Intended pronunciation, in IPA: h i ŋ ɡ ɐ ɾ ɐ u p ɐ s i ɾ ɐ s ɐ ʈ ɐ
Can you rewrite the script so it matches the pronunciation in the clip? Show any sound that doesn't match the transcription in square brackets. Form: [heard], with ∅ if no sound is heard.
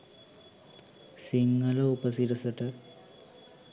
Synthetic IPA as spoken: [s] i ŋ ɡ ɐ [l] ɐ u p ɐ s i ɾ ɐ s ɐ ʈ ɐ

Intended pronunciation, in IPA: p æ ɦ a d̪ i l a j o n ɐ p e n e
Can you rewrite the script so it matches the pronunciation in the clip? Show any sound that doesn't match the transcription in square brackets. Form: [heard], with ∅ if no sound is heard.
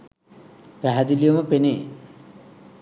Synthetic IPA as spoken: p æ ɦ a d̪ i l [i] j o [m] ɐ p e n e

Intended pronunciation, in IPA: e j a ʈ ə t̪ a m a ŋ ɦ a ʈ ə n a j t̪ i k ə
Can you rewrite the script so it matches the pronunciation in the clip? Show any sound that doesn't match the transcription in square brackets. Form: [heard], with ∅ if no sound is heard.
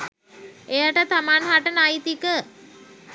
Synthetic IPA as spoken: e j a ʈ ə t̪ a m a [n] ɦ a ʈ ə n a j t̪ i k ə

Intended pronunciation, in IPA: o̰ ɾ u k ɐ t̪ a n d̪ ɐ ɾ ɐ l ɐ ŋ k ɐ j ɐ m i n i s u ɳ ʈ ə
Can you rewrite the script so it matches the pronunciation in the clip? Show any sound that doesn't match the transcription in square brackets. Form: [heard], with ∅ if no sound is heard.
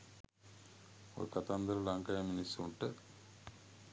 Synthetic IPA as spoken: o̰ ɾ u k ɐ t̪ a n d̪ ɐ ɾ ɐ l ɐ ŋ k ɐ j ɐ m i n i s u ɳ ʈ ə

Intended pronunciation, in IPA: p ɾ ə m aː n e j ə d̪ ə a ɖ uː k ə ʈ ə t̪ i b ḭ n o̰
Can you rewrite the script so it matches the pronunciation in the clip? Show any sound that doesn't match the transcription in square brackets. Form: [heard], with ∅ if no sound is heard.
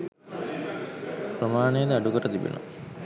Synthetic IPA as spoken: p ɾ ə m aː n e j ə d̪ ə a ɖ [u] k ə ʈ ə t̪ i b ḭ n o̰

